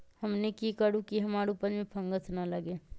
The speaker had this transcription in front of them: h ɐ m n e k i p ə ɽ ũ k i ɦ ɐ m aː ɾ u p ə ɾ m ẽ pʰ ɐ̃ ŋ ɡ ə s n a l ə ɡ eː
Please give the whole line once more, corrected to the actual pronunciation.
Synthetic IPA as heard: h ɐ m n e k i k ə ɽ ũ k i ɦ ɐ m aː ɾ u p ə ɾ m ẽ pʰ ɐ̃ ŋ ɡ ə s n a l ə ɡ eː